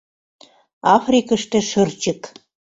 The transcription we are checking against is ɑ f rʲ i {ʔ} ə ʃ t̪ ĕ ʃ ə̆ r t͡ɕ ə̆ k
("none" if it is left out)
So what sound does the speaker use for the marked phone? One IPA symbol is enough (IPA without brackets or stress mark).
k